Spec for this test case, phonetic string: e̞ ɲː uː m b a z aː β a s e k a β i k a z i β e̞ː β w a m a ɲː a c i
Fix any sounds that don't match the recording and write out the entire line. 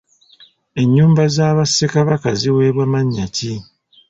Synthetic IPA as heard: e̞ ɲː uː m b a z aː β a s e k a β a k a z i w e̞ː β w a m a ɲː a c i